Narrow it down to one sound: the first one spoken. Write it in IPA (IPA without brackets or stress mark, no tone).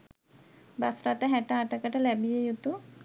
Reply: b